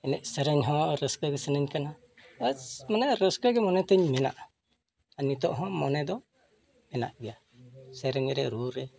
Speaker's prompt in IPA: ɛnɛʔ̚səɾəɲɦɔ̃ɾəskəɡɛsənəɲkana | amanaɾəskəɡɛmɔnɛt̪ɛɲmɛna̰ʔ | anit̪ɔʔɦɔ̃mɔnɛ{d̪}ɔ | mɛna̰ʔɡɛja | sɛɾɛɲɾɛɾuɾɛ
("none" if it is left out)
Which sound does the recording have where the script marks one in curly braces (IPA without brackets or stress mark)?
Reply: d̪